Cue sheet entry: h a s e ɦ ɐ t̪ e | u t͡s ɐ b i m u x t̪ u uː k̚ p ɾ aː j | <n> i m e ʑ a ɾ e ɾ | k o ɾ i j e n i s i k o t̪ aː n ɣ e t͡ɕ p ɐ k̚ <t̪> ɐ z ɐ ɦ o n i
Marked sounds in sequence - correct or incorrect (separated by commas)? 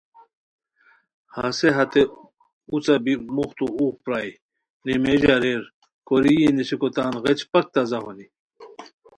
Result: correct, correct